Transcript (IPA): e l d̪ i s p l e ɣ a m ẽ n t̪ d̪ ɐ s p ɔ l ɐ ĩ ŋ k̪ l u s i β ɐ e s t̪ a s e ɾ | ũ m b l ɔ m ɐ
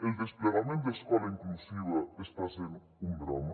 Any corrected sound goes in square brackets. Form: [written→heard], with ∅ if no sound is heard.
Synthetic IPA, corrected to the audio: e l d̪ [i→e] s p l e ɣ a m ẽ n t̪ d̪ ɐ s [p→k] ɔ l ɐ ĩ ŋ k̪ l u s i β ɐ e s t̪ a s e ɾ | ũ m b [l→ɾ] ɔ m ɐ